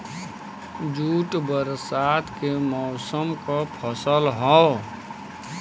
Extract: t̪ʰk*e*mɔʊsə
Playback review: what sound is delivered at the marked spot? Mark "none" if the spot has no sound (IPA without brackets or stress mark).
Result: e